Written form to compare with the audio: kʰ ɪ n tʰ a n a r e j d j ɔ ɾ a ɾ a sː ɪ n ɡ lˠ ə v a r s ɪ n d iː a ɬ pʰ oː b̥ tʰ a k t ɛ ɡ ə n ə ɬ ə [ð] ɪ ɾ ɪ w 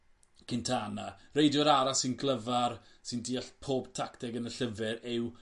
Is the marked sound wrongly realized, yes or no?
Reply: yes